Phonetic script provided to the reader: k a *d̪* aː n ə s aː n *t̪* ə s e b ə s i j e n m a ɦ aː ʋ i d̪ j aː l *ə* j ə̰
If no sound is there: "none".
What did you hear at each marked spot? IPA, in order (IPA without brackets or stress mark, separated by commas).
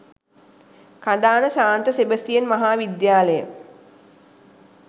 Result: d̪, t̪, ə